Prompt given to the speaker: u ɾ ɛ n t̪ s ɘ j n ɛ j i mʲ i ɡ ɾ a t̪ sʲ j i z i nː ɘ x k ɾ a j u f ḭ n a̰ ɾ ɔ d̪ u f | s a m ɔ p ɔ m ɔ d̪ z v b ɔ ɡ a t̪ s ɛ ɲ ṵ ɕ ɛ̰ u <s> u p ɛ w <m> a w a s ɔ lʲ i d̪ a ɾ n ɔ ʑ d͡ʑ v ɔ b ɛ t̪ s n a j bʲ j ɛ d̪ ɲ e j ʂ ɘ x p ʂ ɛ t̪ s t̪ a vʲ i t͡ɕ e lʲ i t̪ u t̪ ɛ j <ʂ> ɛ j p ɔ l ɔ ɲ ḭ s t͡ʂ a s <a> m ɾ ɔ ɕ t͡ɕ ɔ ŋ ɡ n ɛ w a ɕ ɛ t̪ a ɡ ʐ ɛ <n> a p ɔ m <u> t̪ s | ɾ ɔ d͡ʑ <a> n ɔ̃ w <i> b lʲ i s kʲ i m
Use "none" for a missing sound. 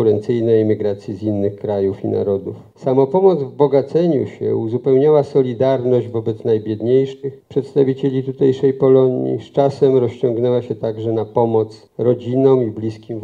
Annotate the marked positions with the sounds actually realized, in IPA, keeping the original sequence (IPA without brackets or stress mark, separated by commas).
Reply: z, ɲ, ʂ, ɛ, n, ɔ, i, i